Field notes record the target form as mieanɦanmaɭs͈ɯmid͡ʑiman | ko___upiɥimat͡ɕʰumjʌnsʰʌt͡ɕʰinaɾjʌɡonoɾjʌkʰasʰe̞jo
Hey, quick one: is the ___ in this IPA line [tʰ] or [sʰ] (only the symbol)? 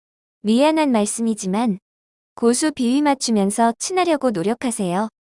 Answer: sʰ